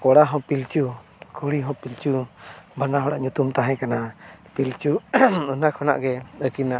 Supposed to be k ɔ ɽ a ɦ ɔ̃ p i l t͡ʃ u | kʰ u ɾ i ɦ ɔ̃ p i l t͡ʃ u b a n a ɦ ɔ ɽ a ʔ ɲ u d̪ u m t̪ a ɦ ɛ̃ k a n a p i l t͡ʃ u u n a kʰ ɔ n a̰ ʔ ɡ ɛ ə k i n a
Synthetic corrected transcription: k ɔ ɽ a ɦ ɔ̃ p i l t͡ʃ u | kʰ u ɽ i ɦ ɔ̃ p i l t͡ʃ u b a n a ɦ ɔ ɽ a ʔ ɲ u t̪ u m t̪ a ɦ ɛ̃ k a n a p i l t͡ʃ u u n a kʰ ɔ n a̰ ʔ ɡ ɛ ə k i n a